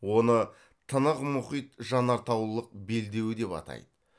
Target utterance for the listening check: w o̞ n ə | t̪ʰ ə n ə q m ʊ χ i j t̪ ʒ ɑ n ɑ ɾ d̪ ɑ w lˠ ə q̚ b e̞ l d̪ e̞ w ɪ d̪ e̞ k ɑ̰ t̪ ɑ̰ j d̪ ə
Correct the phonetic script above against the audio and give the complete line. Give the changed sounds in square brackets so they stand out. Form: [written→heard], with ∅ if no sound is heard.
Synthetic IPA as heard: w o̞ n ə | t̪ʰ ə n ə q m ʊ χ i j t̪ ʒ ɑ n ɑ ɾ [d̪→t̪] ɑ w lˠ ə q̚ b e̞ l d̪ e̞ w ɪ d̪ e̞ [k→p] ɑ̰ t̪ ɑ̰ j d̪ ə